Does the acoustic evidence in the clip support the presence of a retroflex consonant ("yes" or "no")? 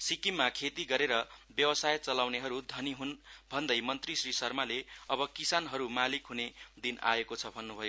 no